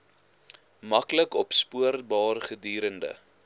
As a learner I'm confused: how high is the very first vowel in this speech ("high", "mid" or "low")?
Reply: low